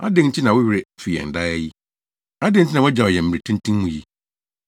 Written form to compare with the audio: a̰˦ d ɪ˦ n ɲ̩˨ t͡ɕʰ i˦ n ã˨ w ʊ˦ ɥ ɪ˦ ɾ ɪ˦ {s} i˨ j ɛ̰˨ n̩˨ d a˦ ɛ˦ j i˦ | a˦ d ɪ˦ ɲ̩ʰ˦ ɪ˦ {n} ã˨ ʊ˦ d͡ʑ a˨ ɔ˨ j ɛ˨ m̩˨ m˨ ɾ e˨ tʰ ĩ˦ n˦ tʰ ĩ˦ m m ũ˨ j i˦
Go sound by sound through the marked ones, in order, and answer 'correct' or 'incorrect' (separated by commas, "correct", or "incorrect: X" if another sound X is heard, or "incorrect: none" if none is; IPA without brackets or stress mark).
incorrect: f, correct